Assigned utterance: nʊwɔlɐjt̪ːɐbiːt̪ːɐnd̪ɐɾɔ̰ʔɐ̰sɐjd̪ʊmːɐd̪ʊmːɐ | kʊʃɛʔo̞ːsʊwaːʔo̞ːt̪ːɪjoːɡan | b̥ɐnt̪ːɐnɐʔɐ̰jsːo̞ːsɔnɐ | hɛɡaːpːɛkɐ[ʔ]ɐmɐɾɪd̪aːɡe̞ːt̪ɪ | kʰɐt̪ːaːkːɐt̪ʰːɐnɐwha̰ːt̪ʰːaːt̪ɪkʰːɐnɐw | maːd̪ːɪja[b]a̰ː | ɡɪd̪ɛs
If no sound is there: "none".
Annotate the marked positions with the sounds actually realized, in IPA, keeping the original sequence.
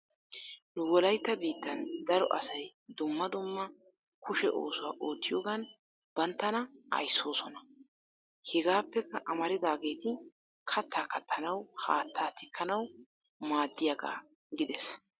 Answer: ʔ, ɡ

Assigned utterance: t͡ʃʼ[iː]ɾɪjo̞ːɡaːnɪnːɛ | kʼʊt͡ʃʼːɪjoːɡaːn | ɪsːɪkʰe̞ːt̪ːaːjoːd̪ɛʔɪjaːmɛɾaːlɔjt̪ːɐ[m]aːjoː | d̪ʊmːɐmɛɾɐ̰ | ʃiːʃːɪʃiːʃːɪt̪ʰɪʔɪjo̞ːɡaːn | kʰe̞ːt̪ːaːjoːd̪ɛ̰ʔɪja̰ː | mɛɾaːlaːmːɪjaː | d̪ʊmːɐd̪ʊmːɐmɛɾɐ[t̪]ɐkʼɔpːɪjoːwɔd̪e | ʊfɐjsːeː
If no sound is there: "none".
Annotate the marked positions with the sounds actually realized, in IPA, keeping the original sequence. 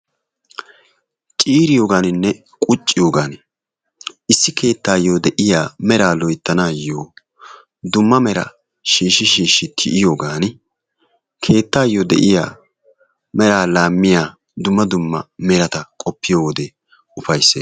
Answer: iː, n, t̪

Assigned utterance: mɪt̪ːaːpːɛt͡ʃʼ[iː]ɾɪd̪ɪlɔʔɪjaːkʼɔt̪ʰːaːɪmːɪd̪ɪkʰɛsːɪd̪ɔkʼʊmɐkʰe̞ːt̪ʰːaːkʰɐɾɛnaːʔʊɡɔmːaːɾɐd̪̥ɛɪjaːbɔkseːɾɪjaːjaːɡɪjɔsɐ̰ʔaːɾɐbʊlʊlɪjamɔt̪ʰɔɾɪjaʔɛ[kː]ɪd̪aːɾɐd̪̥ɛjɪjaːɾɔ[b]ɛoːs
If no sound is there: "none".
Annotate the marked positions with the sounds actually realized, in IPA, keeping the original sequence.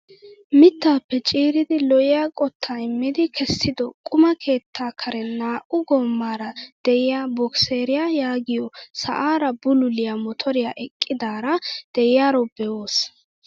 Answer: iː, kʼː, b

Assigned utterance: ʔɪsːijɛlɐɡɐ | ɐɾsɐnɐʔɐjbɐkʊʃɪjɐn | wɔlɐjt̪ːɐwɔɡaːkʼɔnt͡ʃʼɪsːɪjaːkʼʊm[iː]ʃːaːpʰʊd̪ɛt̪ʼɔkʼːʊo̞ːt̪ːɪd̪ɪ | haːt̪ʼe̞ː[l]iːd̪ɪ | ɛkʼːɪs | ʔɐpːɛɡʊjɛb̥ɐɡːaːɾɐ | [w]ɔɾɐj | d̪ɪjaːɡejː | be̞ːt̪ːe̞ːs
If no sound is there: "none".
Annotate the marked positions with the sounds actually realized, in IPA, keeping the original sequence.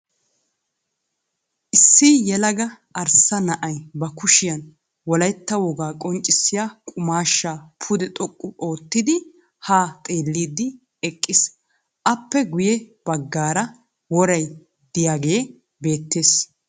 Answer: aː, lː, w

